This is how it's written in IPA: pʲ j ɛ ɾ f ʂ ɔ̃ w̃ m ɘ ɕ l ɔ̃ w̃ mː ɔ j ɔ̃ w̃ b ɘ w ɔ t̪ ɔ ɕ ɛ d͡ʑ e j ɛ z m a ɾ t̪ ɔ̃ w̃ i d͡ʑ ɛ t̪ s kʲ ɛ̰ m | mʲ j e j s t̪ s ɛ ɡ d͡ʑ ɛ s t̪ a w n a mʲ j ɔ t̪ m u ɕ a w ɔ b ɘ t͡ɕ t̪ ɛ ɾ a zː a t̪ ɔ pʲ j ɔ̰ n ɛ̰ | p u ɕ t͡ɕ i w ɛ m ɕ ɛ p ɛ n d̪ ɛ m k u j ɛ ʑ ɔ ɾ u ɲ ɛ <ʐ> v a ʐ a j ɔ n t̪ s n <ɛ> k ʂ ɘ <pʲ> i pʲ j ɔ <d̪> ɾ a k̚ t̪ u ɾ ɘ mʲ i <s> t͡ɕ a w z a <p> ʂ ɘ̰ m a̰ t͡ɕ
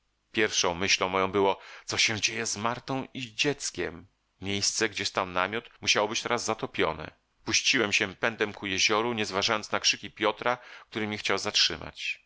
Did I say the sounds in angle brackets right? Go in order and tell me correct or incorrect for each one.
incorrect: z, incorrect: a, incorrect: kʲ, incorrect: t̪, incorrect: x, incorrect: t

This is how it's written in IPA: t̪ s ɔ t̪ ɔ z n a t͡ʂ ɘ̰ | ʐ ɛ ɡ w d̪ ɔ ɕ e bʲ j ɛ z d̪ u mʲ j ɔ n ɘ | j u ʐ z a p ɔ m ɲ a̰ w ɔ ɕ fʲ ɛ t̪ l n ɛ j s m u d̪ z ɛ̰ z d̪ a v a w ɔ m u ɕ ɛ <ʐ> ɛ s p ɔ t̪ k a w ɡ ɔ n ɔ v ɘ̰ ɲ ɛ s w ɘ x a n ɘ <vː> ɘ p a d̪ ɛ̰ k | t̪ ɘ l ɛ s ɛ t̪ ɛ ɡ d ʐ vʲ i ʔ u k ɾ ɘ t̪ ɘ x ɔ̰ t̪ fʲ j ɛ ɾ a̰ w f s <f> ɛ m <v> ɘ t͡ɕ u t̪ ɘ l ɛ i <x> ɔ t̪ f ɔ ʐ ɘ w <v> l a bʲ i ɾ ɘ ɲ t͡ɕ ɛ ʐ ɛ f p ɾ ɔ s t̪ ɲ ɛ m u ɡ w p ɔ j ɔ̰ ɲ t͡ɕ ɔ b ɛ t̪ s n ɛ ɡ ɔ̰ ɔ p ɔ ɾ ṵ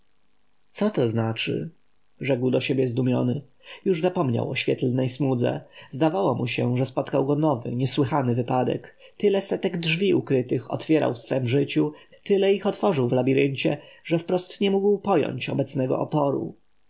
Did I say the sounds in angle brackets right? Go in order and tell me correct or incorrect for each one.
correct, incorrect: v, correct, incorrect: ʐ, correct, correct

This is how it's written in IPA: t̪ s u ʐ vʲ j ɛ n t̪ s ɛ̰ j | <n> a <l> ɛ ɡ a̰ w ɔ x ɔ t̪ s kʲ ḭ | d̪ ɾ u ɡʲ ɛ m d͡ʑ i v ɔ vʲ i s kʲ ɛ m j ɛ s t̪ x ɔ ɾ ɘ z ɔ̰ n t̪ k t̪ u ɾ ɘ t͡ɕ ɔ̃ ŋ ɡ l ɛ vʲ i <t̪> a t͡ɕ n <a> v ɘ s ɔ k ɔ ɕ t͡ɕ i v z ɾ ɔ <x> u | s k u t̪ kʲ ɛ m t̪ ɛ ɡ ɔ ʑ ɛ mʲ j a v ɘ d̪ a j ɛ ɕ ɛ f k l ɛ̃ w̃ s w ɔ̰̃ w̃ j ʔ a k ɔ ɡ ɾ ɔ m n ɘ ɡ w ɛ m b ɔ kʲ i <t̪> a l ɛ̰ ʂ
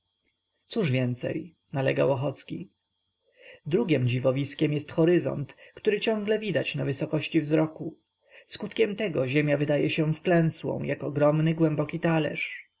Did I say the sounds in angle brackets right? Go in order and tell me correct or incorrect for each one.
correct, correct, incorrect: d̪, correct, incorrect: k, correct

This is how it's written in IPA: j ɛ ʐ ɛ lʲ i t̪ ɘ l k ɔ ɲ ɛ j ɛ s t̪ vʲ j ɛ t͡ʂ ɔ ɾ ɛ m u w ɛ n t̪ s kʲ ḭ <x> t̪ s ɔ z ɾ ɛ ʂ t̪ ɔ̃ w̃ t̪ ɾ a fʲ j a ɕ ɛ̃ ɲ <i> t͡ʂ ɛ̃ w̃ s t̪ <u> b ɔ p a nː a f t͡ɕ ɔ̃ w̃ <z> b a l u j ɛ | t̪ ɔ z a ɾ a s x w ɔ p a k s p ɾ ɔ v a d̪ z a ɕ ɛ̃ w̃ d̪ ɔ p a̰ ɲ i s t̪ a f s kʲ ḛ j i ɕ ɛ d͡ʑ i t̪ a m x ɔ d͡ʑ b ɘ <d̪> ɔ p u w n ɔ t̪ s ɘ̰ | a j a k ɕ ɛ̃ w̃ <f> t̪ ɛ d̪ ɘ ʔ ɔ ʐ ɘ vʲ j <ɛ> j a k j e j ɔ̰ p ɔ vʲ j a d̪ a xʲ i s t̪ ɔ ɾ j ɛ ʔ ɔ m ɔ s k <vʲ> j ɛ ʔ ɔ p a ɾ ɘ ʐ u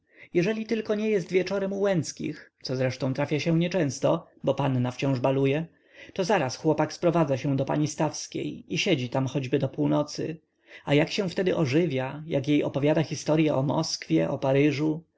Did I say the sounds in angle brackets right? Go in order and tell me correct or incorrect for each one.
correct, incorrect: ɛ, incorrect: ɔ, incorrect: ʐ, correct, correct, incorrect: a, incorrect: fʲ

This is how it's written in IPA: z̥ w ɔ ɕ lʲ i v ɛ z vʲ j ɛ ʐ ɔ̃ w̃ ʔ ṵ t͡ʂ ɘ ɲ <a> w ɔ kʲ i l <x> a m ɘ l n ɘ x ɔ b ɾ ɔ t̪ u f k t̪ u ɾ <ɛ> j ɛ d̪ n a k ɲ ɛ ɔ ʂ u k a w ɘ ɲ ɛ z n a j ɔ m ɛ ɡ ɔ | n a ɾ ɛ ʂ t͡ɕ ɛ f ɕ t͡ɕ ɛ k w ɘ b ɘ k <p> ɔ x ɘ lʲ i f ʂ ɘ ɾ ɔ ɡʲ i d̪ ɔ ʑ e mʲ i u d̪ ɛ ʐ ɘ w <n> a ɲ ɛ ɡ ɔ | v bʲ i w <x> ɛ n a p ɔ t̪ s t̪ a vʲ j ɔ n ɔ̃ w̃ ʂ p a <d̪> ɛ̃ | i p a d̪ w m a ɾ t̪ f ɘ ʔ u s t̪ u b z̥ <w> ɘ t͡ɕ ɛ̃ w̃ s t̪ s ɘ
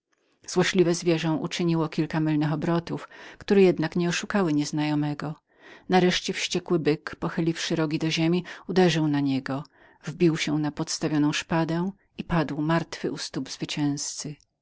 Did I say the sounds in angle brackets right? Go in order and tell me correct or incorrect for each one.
incorrect: i, incorrect: k, correct, correct, correct, incorrect: ɕ, correct, incorrect: v

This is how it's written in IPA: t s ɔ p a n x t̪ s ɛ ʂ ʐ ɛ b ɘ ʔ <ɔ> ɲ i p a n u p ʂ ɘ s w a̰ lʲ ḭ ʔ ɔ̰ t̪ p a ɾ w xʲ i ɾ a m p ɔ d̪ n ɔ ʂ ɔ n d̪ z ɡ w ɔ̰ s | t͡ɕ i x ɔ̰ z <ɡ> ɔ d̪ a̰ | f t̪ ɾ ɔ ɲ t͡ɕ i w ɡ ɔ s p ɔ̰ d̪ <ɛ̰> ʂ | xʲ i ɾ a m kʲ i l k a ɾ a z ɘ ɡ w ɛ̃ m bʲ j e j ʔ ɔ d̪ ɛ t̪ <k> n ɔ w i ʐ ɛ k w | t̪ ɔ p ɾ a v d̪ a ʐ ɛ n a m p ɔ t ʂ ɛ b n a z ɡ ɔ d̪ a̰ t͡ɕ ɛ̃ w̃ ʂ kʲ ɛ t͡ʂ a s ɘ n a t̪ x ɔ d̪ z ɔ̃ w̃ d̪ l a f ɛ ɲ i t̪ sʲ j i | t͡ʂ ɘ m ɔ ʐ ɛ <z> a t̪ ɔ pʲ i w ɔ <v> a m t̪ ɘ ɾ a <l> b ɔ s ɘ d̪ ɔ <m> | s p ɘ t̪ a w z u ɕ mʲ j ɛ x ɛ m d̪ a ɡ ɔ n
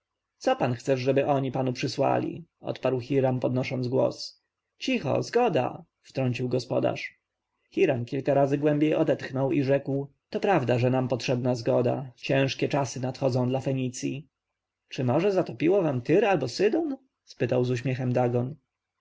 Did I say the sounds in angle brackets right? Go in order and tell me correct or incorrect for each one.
correct, correct, incorrect: a̰, incorrect: x, correct, correct, correct, incorrect: n

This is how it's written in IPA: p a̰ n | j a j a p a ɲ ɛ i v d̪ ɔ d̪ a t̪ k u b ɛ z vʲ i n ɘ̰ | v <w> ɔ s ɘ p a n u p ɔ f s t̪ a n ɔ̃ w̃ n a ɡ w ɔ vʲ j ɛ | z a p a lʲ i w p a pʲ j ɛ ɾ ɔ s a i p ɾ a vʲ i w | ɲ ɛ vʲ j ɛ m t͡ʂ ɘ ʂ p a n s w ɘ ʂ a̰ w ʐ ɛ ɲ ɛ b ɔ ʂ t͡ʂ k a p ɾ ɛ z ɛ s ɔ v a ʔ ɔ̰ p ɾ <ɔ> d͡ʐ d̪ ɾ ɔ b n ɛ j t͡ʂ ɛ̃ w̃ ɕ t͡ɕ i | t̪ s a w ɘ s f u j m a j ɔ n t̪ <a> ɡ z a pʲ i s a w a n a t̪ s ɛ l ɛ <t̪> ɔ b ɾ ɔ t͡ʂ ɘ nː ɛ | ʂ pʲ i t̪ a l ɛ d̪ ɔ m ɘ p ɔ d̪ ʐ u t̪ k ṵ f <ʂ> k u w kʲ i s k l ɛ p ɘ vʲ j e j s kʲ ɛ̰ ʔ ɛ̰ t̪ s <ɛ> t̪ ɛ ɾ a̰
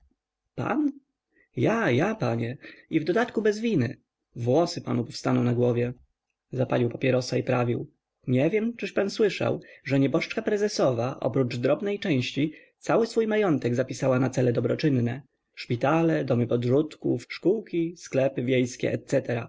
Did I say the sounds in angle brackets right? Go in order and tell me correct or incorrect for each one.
correct, incorrect: u, incorrect: ɛ, incorrect: d̪, correct, correct

